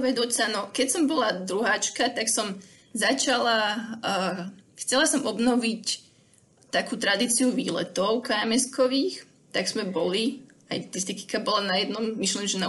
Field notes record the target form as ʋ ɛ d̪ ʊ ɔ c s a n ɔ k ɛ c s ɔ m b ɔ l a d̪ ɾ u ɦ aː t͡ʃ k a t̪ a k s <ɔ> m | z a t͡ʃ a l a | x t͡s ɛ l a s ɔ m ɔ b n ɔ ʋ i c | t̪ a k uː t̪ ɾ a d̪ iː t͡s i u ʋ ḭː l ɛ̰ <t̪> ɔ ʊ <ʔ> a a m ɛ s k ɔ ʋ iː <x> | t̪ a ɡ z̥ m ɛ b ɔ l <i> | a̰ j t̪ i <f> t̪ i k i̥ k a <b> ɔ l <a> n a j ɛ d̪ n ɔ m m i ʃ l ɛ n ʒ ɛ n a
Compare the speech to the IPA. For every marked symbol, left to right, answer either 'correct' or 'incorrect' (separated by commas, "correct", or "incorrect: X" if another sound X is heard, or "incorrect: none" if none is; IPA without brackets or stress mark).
correct, correct, incorrect: k, correct, correct, incorrect: s, correct, correct